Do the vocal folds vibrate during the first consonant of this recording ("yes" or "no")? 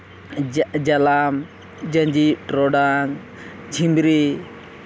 yes